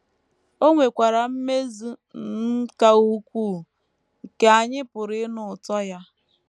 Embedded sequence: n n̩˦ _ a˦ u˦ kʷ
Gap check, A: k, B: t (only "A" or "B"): A